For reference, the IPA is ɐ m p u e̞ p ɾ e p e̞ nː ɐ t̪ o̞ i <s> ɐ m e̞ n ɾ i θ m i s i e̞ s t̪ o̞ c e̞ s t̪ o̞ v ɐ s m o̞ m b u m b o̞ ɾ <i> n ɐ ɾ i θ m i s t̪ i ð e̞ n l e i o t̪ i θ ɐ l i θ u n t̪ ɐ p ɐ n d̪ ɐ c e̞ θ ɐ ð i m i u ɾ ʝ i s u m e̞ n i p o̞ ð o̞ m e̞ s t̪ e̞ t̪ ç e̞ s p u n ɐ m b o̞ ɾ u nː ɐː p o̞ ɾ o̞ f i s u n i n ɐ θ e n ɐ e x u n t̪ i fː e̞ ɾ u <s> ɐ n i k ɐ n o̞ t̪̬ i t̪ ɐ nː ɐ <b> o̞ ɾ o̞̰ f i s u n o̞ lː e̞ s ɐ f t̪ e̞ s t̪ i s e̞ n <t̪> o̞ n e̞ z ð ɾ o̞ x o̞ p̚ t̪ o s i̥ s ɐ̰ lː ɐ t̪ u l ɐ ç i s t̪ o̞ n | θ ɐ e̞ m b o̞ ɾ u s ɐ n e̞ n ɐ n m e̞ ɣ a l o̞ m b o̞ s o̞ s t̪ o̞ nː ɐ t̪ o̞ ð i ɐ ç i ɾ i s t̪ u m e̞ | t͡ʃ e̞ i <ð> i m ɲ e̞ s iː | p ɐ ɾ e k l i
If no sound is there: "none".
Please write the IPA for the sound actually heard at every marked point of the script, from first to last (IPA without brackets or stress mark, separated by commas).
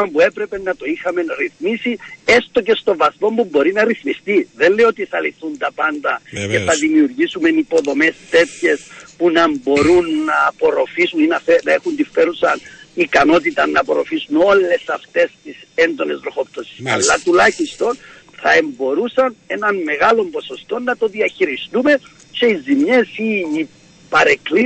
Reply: x, i, s, p, d̪, z